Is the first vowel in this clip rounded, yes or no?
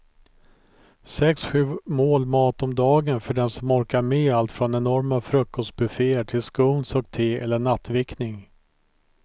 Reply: no